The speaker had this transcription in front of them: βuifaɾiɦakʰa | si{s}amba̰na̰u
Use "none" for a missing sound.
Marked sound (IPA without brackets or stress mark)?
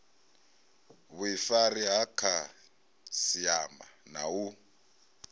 none